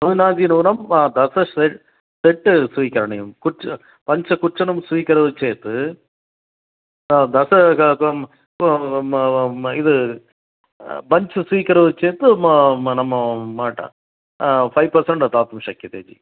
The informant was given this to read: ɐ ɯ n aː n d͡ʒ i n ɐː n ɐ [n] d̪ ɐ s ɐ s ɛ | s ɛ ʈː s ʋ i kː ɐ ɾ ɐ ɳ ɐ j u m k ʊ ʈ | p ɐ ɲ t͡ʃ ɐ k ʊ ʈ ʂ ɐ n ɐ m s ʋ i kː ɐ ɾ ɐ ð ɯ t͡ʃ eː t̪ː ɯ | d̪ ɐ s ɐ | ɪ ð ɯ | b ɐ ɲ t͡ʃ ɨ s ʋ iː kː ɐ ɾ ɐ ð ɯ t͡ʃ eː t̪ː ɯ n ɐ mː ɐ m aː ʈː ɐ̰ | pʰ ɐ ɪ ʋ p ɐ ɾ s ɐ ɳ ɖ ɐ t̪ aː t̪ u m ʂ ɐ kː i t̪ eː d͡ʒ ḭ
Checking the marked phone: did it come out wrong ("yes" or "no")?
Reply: yes